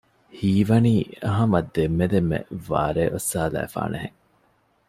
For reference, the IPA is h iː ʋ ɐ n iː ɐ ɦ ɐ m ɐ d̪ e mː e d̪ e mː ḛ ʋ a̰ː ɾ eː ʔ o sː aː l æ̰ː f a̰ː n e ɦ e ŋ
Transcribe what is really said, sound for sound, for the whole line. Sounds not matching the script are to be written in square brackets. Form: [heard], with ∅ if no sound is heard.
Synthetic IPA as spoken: h iː ʋ ɐ n iː ɐ ɦ ɐ m ɐ d̪ e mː e d̪ e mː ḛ ʋ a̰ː ɾ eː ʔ o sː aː l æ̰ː f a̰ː n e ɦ e ŋ